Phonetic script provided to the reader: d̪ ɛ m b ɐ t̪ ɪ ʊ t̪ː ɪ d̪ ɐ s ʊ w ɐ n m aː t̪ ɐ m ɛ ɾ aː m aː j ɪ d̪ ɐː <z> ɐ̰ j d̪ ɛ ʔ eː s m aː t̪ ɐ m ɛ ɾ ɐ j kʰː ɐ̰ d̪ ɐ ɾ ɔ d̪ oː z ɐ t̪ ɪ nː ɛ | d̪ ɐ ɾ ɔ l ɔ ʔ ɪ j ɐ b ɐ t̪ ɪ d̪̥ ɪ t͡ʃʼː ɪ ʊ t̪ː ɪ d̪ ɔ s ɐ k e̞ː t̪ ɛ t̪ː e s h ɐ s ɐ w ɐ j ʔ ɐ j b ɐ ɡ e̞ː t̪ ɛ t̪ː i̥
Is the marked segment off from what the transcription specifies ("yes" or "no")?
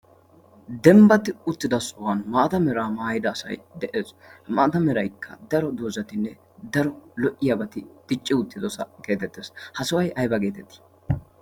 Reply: yes